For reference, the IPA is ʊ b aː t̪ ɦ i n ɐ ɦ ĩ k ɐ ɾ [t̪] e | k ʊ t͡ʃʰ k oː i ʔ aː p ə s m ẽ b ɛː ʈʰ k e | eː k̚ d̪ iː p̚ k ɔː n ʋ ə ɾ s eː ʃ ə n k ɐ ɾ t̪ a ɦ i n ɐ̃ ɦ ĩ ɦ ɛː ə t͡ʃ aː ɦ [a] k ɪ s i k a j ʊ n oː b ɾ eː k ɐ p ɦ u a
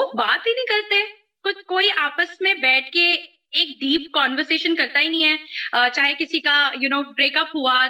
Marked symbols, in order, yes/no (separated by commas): yes, no